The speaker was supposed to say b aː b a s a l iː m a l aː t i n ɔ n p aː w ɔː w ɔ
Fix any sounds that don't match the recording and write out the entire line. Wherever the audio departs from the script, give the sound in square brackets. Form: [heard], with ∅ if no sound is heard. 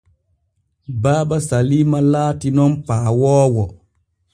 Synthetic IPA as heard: b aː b a s a l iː m a l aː t i n ɔ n p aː w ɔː w ɔ